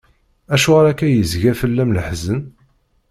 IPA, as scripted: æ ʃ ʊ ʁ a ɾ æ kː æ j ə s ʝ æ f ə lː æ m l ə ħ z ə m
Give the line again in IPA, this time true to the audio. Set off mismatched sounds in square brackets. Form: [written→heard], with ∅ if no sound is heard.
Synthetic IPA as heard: æ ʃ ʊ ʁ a ɾ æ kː æ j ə [s→z] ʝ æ f ə lː æ m l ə ħ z ə [m→n]